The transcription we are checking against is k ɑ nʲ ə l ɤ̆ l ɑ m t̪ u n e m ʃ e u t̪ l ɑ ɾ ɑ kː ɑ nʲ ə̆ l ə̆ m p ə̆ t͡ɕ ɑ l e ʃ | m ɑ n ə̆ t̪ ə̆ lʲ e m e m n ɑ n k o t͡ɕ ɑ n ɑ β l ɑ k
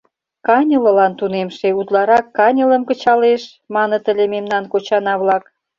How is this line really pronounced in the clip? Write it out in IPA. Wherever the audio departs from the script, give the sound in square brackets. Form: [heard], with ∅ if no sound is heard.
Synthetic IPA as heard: k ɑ nʲ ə l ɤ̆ l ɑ [n] t̪ u n e m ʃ e u t̪ l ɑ ɾ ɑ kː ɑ nʲ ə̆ l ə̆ m [k] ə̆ t͡ɕ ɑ l e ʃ | m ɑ n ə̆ t̪ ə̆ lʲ e m e m n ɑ n k o t͡ɕ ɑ n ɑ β l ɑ k